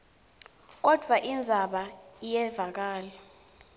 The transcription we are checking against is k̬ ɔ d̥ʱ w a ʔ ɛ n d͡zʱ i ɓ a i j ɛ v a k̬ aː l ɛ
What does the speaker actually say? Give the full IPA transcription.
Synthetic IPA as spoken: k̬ ɔ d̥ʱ w a ʔ i n d͡zʱ a ɓ a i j ɛ v a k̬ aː l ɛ